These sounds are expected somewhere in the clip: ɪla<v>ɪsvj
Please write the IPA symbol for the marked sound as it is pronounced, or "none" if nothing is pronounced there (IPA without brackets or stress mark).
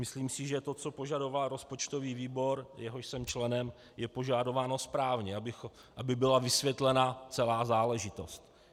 v